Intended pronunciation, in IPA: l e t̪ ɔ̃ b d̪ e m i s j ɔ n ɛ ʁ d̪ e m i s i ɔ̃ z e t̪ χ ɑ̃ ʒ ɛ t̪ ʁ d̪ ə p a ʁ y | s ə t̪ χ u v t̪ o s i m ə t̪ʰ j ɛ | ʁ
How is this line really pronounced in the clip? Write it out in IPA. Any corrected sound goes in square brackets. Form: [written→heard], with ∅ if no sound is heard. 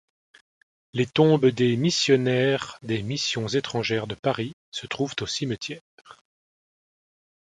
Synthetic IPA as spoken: l e t̪ ɔ̃ b d̪ e m i s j ɔ n ɛ ʁ d̪ e m i s [i→j] ɔ̃ z e t̪ χ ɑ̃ ʒ ɛ [t̪→∅] ʁ d̪ ə p a ʁ [y→i] | s ə t̪ χ u v t̪ o s i m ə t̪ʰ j ɛ | ʁ